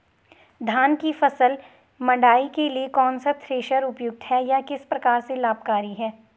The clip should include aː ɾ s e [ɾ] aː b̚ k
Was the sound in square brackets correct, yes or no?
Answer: no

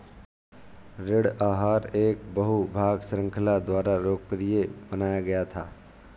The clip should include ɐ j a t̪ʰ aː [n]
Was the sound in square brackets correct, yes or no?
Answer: no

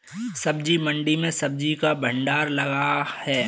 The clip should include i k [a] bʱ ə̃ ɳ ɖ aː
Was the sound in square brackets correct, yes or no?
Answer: yes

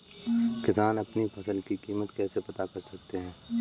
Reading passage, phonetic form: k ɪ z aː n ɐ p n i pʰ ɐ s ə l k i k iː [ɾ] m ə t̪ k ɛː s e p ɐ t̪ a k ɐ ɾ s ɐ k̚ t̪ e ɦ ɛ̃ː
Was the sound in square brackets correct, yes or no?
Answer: no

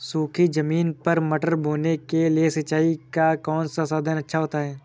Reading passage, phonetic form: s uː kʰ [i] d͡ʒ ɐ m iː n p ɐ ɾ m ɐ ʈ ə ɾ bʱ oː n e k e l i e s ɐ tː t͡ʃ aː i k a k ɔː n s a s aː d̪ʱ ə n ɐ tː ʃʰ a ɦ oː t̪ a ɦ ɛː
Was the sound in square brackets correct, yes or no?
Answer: yes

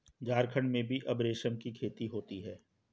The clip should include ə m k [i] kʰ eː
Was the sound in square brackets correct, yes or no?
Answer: yes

